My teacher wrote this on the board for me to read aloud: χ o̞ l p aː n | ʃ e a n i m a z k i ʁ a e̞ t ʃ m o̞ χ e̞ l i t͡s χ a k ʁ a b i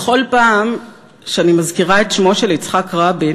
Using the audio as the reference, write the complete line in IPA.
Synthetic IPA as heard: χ o̞ l p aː m | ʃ e a n i m a z k i ʁ a e̞ t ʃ m o̞ ʃ e̞ l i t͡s χ a k ʁ a b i